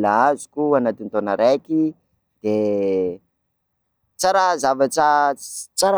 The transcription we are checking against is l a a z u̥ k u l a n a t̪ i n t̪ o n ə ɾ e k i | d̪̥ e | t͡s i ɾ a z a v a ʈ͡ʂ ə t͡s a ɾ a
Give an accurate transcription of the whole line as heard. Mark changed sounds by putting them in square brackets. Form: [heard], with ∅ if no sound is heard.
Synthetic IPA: l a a z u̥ k u [∅] a n a t̪ i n t̪ o n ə ɾ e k i | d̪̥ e | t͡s [a] ɾ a z a v a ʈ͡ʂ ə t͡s a ɾ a